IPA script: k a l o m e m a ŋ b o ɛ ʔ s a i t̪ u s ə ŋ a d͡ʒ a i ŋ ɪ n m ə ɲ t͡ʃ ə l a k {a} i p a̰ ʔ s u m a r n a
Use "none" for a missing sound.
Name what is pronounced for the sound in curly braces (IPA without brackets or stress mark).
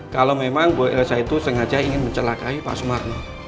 a